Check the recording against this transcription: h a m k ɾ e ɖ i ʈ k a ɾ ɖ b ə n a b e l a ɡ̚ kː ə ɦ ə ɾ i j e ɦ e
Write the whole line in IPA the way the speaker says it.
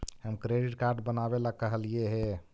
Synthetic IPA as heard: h ə m k ɾ e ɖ i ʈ k a ɾ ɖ b ə n a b e l a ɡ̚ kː ə ɦ ə l i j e ɦ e

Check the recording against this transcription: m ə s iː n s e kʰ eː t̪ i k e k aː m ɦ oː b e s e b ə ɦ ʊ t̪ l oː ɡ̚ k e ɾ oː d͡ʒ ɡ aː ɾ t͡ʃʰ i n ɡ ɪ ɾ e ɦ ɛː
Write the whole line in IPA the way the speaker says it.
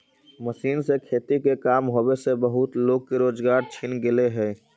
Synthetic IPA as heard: m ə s iː n s e kʰ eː t̪ i k e k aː m ɦ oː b e s e b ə ɦ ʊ t̪ l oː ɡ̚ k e ɾ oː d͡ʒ ɡ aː ɾ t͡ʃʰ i n ɡ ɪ l e ɦ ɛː

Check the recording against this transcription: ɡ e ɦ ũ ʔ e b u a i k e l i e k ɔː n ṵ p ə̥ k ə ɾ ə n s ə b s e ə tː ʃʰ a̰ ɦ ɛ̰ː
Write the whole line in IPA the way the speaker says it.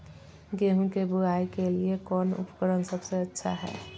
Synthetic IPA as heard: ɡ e ɦ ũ k e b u a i k e l i e k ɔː n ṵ p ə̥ k ə ɾ ə n s ə b s e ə tː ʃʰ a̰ ɦ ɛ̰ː

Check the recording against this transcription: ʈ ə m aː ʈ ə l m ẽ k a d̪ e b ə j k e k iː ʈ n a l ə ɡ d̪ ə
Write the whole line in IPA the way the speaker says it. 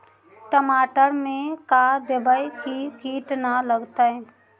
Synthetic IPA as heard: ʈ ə m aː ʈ ə ɾ m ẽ k a d̪ e b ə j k i k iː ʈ n a l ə ɡ t̪ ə

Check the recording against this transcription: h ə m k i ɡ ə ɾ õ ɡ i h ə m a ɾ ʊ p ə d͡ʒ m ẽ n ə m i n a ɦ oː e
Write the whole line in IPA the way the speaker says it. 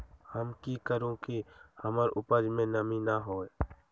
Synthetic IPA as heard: h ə m k i k ə ɾ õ k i h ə m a ɾ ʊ p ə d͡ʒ m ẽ n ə m i n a ɦ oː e

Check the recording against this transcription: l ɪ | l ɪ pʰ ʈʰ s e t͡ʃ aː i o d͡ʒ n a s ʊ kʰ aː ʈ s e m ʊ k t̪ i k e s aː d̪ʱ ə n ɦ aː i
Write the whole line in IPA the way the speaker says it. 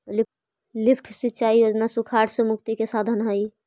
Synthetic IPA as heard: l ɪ | l ɪ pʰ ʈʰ s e t͡ʃ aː i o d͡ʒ n a s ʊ kʰ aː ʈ s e m ʊ k t̪ i k e s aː d̪ʱ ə n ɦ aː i

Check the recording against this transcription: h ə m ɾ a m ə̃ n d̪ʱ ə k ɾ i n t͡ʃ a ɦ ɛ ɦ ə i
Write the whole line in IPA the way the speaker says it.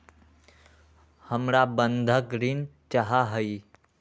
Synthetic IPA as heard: h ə m ɾ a b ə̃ n d̪ʱ ə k ɾ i n t͡ʃ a ɦ a ɦ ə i

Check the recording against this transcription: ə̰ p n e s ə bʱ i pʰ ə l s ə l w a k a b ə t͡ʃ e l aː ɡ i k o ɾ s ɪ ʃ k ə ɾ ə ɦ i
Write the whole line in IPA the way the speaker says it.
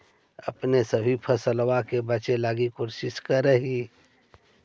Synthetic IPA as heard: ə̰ p n e s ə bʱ i pʰ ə s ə l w a k e b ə t͡ʃ e l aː ɡ i k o ɾ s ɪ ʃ k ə ɾ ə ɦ i

